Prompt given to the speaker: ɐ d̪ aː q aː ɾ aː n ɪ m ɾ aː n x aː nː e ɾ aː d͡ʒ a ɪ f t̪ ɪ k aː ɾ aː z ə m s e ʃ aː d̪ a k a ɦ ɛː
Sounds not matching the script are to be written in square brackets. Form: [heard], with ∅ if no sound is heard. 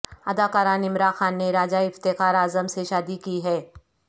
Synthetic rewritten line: ɐ d̪ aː [k] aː ɾ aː n ɪ m ɾ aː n x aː nː e ɾ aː d͡ʒ a ɪ f t̪ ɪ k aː ɾ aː z ə m s e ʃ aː d̪ [i] k [i] ɦ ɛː